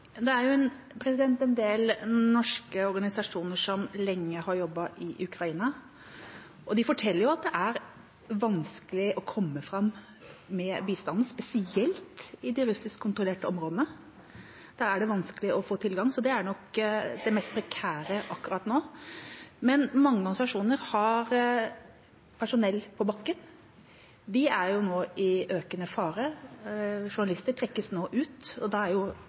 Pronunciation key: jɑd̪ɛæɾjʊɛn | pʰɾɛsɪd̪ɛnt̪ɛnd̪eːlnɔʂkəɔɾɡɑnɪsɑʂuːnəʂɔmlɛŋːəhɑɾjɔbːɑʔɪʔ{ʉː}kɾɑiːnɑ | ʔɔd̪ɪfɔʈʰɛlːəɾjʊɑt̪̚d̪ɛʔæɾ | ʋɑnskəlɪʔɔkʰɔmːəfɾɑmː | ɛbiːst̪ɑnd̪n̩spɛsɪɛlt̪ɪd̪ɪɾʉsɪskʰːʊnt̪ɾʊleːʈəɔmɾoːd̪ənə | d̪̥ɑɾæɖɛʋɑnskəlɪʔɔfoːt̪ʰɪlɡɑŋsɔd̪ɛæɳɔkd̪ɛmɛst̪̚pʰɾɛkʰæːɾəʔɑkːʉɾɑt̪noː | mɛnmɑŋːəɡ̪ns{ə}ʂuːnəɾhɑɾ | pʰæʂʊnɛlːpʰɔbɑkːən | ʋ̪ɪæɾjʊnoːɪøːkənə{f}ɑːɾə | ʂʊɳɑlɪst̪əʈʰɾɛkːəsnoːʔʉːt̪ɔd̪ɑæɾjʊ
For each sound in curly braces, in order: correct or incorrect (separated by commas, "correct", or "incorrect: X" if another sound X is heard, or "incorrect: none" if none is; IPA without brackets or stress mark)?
incorrect: ʉ, incorrect: ɑ, correct